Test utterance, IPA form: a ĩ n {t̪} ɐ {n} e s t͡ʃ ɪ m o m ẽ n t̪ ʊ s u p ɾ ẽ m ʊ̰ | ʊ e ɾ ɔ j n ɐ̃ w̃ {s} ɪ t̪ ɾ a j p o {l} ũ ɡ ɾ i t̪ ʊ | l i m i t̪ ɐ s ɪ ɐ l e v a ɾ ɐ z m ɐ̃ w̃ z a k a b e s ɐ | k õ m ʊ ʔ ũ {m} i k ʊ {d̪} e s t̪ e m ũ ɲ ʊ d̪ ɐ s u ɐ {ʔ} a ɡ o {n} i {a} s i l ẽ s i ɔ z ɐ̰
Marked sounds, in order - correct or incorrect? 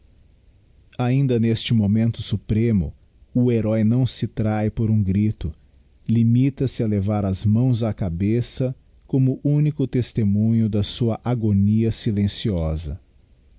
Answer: incorrect: d̪, correct, correct, incorrect: ɾ, incorrect: n, incorrect: t̪, correct, correct, incorrect: ɐ

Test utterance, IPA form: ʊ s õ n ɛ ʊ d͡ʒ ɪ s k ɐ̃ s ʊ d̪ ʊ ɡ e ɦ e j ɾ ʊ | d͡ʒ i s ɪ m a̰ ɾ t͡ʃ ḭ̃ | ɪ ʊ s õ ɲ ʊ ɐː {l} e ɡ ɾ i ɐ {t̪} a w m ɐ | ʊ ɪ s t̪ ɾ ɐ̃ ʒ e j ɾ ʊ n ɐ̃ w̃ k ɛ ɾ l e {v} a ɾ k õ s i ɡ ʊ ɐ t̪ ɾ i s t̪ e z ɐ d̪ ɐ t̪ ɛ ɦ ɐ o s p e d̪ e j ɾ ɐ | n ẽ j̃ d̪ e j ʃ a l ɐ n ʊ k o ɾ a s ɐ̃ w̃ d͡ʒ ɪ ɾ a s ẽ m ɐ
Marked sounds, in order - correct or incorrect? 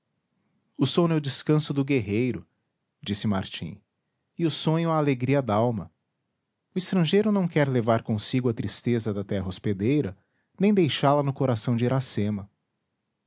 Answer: correct, incorrect: d̪, correct

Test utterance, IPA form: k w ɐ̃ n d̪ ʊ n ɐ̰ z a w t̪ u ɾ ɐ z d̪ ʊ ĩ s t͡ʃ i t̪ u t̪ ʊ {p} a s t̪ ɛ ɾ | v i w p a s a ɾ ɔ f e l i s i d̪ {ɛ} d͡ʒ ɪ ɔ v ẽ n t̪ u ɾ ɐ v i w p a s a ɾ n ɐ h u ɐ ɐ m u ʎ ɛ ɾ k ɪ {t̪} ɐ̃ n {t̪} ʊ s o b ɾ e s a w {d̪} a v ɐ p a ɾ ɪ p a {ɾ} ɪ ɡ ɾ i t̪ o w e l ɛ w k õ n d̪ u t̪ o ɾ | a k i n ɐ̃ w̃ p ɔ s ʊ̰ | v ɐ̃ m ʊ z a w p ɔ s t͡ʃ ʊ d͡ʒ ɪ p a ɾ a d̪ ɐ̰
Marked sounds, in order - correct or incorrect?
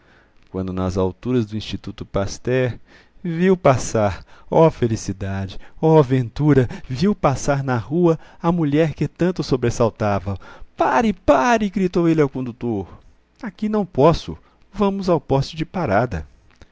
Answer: correct, incorrect: a, correct, correct, incorrect: t̪, correct

